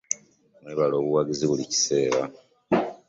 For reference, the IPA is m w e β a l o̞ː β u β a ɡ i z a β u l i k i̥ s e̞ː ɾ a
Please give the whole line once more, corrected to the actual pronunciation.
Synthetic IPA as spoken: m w e β a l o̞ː β u w a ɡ i z i β u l i c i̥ s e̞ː ɾ a